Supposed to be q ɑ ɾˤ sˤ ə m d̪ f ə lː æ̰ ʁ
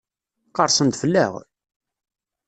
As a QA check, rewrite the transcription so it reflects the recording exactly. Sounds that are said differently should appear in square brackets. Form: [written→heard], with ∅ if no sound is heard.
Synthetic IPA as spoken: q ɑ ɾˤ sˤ ə [m→n] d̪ f ə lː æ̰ ʁ